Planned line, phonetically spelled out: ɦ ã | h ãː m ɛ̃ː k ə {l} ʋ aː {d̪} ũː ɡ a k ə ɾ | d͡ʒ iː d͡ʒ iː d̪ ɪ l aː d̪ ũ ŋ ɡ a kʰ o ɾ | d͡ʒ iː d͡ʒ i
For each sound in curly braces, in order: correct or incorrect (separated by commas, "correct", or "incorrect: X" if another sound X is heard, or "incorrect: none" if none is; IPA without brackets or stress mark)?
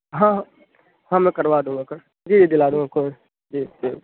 incorrect: ɾ, correct